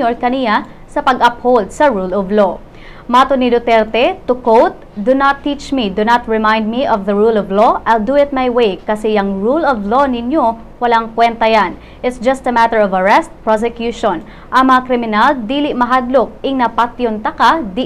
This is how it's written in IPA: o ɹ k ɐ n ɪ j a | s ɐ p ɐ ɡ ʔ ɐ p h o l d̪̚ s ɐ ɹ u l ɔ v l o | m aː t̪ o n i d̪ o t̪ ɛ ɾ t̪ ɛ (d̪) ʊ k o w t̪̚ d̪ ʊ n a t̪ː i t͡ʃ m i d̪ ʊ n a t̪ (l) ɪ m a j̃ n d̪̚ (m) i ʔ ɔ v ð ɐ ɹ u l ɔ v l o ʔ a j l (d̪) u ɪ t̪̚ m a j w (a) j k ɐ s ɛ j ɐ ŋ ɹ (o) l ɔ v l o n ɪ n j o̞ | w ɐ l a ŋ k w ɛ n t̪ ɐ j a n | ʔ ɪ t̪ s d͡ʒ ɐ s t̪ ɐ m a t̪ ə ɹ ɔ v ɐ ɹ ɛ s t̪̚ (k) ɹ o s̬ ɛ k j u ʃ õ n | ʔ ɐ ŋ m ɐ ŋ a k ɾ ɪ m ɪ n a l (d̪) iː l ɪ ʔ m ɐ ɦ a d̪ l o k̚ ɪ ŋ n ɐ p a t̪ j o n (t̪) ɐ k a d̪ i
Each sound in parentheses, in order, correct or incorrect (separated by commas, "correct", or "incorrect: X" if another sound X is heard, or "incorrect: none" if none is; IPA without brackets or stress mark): incorrect: t̪, incorrect: ɹ, correct, correct, incorrect: e, incorrect: u, incorrect: p, correct, correct